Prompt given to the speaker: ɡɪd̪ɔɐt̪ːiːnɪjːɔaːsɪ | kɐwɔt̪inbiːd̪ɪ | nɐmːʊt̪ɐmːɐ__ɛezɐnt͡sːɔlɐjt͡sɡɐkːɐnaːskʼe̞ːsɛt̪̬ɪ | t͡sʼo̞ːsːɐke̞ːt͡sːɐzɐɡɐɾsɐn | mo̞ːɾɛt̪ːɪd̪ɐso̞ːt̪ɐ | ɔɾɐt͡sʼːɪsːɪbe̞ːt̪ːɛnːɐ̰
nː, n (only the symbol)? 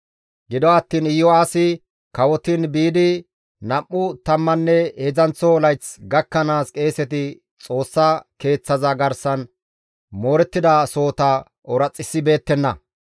nː